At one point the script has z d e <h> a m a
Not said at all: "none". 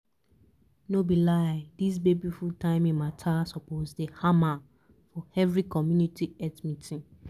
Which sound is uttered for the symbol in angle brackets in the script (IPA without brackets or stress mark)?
h